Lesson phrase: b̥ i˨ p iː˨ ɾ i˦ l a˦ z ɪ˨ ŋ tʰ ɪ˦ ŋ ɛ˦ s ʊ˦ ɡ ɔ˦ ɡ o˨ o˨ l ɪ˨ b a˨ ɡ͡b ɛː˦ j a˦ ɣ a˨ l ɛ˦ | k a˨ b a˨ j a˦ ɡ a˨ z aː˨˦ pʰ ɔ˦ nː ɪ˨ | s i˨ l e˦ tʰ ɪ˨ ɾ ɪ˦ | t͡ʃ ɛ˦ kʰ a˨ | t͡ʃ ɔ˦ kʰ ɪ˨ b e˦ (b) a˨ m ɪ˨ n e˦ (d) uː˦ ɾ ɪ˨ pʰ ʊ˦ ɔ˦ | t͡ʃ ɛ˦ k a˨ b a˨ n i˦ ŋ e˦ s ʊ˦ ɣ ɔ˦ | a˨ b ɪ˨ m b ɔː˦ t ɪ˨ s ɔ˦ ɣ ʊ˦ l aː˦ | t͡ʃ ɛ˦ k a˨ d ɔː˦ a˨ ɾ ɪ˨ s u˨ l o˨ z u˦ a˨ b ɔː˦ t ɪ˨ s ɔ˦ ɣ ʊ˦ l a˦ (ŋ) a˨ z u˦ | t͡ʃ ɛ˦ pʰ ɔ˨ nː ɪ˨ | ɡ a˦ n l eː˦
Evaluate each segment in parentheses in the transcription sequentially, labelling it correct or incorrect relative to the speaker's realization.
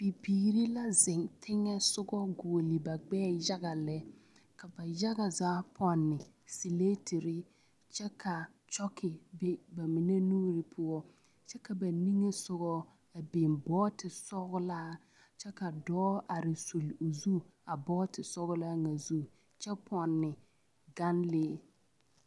correct, incorrect: n, correct

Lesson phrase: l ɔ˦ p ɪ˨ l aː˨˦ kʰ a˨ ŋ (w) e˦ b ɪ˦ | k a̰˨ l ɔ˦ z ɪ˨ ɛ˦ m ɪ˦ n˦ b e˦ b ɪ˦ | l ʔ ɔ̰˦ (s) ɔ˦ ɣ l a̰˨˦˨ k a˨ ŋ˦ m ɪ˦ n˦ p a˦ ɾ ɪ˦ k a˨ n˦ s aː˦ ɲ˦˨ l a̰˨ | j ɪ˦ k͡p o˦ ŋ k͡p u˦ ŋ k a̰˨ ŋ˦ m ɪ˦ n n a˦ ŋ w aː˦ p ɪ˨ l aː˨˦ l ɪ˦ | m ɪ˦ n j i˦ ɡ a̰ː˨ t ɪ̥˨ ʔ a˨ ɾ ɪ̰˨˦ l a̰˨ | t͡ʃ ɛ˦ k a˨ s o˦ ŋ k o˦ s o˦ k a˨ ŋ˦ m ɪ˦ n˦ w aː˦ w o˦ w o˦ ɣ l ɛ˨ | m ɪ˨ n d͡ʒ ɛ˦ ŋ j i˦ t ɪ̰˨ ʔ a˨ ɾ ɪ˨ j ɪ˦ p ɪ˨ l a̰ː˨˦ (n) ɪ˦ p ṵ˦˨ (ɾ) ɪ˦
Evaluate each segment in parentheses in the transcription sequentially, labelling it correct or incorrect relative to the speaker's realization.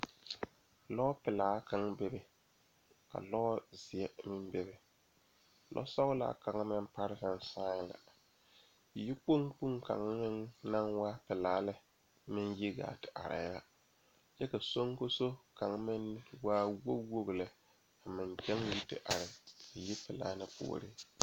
incorrect: b, correct, correct, correct

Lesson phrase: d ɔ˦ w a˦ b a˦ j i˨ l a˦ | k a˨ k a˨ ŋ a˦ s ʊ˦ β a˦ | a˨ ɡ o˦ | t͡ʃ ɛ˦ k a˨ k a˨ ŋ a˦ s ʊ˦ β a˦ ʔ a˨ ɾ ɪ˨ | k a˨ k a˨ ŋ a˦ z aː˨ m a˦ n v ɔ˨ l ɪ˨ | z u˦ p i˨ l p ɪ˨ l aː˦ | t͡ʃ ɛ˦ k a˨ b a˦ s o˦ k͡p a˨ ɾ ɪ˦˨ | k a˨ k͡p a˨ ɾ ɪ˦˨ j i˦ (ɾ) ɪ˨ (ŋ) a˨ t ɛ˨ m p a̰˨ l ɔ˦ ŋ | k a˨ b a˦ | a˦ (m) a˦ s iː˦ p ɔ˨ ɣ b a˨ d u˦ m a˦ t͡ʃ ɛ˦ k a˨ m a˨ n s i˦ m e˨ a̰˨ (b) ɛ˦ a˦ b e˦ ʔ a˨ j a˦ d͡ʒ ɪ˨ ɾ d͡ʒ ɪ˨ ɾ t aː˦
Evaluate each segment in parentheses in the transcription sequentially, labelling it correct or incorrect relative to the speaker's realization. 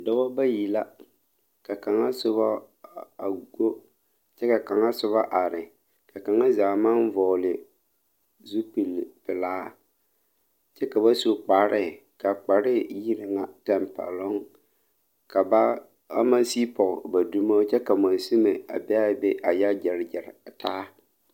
correct, correct, correct, correct

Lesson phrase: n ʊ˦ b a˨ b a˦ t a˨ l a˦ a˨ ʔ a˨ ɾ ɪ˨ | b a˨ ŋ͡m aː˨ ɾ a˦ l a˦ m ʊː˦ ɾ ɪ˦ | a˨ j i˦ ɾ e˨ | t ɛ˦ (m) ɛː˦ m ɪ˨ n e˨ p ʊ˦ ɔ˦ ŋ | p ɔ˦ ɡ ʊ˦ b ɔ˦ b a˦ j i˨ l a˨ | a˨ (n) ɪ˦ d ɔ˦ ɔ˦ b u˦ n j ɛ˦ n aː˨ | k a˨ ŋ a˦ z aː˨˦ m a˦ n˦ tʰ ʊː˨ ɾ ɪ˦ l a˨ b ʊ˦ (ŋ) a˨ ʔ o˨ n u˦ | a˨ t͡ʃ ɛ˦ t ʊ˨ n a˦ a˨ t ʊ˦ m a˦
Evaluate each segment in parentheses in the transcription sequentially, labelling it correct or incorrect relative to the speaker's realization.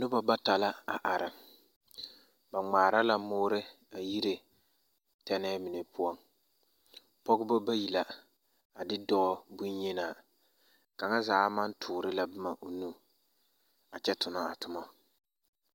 incorrect: n, incorrect: d, incorrect: m

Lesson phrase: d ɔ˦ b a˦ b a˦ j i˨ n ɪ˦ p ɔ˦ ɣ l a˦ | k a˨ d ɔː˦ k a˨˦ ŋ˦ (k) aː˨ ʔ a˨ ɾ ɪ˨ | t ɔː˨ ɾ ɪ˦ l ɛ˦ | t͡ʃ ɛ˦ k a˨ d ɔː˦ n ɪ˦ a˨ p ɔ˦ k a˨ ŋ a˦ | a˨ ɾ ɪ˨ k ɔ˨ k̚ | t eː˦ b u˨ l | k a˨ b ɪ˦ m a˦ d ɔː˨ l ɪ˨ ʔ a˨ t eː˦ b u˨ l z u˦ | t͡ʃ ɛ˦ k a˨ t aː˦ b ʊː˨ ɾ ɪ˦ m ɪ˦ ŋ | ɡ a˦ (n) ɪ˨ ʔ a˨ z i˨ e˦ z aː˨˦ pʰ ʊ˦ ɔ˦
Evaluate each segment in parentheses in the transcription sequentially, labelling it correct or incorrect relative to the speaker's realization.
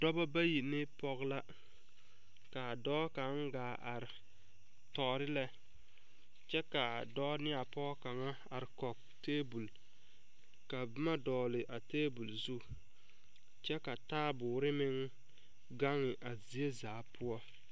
incorrect: ɡ, incorrect: ŋ

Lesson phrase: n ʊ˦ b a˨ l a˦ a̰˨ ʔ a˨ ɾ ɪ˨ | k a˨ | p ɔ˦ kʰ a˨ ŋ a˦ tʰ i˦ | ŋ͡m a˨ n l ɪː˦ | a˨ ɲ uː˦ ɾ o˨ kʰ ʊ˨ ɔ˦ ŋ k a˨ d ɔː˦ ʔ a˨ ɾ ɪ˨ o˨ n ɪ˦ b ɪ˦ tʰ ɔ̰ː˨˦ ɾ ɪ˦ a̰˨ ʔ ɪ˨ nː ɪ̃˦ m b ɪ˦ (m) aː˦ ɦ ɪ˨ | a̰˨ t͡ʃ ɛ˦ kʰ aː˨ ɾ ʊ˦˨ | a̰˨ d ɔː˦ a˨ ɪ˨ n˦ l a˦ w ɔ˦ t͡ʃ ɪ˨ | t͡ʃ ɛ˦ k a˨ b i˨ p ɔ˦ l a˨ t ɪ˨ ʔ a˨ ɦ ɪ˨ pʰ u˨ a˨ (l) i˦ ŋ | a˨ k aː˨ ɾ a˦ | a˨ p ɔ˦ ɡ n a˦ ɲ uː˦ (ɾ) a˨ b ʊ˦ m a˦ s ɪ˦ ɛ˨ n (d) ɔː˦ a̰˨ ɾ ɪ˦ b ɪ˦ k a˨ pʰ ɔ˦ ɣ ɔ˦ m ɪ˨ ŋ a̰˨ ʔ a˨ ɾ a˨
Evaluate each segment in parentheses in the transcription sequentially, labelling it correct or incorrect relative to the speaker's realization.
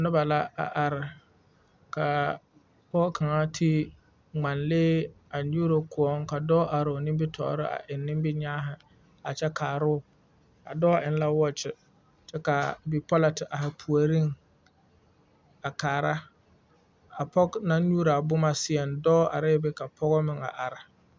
incorrect: ɲ, incorrect: ɾ, correct, correct

